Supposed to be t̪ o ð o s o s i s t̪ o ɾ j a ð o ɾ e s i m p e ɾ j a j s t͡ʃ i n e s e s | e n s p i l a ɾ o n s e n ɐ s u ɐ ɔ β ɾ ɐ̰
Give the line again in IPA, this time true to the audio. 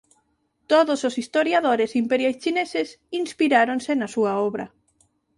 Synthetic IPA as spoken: t̪ o ð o s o s i s t̪ o ɾ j a ð o ɾ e s i m p e ɾ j a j s t͡ʃ i n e s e s | i n s p i ɾ a ɾ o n s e n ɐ s u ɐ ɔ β ɾ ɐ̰